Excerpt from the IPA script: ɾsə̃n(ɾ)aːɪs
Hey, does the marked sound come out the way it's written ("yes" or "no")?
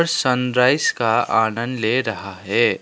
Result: yes